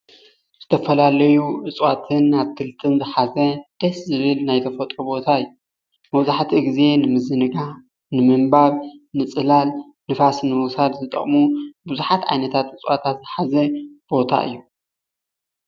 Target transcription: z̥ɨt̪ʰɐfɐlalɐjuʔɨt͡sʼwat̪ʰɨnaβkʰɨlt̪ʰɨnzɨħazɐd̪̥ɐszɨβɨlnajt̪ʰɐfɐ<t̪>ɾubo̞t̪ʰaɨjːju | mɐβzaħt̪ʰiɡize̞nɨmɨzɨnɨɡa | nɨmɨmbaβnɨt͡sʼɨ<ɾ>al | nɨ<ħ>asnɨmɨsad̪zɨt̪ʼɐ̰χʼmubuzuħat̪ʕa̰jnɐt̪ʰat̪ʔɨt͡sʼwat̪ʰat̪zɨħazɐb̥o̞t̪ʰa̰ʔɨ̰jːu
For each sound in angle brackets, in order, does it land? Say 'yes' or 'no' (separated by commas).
no, no, no